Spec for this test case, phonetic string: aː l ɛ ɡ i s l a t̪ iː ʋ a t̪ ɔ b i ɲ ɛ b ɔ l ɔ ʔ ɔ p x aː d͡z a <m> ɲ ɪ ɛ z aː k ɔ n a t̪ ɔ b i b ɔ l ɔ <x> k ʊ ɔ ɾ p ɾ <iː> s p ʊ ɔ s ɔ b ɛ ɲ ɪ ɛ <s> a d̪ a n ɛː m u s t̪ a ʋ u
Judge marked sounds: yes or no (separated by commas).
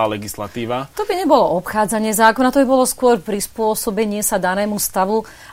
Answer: no, no, no, yes